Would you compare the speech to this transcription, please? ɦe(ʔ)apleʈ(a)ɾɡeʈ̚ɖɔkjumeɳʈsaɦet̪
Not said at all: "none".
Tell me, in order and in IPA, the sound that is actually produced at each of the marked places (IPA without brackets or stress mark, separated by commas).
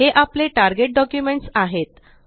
ʔ, a